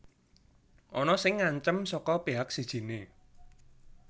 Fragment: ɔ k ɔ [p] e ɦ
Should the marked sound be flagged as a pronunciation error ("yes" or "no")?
no